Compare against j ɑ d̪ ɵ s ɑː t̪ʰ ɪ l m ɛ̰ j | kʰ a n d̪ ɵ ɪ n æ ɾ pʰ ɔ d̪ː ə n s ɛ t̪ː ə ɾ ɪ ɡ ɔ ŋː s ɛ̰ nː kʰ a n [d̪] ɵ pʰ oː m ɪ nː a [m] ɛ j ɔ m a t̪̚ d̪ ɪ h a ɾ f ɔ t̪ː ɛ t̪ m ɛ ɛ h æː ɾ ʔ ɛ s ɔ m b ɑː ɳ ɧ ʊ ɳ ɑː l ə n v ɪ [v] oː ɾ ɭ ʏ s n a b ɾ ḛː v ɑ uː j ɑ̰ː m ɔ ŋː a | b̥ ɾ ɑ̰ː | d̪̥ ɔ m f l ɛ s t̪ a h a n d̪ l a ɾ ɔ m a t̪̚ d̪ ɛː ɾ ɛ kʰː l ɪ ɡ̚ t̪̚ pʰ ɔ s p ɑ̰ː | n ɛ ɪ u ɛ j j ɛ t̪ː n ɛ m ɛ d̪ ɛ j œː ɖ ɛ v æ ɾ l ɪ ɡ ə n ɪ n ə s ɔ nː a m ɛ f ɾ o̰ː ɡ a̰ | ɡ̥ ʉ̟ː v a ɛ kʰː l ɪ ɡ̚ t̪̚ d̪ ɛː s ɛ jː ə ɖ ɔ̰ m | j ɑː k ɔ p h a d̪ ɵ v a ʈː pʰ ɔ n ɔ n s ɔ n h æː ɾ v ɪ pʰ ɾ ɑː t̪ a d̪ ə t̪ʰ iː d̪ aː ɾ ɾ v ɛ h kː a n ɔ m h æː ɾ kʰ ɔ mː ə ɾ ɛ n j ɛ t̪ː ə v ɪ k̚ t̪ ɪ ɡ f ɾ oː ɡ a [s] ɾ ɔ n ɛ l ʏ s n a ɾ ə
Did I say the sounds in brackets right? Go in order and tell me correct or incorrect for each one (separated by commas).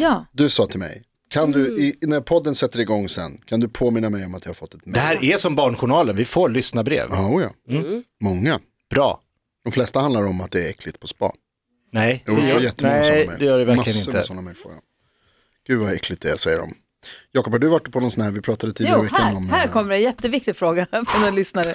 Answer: correct, correct, incorrect, incorrect